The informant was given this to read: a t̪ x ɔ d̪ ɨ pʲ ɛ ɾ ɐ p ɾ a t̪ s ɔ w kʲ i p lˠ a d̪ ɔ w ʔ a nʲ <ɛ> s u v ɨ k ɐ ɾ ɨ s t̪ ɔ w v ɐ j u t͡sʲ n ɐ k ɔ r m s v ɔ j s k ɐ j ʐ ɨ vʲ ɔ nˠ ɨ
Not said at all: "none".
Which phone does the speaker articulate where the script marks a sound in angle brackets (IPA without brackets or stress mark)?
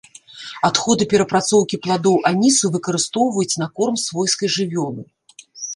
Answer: i